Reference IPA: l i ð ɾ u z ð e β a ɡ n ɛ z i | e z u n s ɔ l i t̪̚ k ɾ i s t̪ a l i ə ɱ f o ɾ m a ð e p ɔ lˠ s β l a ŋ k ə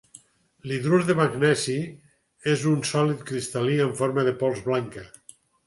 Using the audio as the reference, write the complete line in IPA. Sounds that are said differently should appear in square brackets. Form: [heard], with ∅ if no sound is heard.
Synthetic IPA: l i ð ɾ u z ð e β a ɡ n ɛ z i | e z u n s ɔ l i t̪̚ k ɾ i s t̪ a l i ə ɱ f o ɾ m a ð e p ɔ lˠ [z] β l a ŋ k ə